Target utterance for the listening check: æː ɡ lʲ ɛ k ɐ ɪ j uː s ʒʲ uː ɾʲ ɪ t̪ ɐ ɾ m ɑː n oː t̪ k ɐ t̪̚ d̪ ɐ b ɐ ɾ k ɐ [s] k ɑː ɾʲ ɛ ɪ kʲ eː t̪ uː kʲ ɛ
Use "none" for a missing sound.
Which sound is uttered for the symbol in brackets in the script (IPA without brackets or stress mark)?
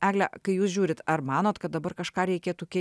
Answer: ʃ